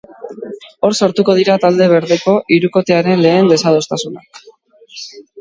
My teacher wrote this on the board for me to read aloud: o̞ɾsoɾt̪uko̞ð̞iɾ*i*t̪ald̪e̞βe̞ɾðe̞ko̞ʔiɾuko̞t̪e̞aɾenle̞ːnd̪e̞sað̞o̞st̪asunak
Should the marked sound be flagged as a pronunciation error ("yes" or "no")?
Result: yes